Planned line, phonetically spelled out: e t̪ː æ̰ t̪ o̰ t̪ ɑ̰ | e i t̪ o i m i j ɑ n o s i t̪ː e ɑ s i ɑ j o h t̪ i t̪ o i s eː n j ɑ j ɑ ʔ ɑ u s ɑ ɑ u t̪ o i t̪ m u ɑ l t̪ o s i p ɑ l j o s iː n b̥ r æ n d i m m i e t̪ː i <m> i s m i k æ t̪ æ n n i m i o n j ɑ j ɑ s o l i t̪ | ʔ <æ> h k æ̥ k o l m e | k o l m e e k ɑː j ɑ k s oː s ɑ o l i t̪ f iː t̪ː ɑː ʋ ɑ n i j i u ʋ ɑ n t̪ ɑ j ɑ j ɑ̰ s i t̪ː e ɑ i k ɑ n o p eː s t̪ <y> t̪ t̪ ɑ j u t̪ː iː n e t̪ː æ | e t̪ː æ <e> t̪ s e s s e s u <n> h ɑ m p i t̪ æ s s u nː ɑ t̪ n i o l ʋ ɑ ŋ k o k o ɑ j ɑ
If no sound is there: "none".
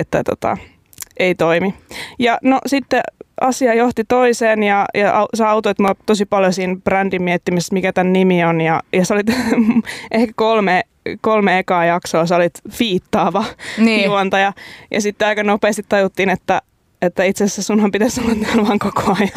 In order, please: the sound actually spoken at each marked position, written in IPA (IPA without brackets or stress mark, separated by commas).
m, e, i, i, n